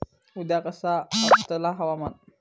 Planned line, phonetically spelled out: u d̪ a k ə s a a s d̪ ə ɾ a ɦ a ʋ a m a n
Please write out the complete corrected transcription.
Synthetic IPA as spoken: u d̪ a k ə s a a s t̪ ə l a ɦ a w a m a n